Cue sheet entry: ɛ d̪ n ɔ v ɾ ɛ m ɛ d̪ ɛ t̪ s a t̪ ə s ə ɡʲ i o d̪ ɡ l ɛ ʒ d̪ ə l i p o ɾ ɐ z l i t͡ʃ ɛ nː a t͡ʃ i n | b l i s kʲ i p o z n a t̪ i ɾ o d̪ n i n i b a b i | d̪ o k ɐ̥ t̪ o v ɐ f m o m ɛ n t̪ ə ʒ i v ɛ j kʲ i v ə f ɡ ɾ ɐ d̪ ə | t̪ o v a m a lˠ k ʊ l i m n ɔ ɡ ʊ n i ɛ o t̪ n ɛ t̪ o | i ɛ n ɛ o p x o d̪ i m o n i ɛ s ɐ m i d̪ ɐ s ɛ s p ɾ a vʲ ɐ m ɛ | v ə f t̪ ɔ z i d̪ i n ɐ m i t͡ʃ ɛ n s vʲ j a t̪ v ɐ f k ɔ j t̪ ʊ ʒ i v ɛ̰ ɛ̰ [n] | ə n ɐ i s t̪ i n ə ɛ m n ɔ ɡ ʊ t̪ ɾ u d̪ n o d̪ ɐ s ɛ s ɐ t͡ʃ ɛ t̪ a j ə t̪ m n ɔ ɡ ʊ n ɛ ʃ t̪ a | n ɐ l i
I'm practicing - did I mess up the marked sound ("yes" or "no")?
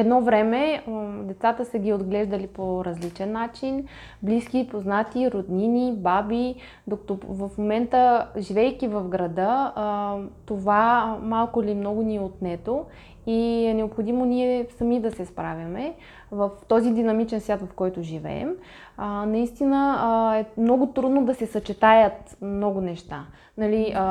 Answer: yes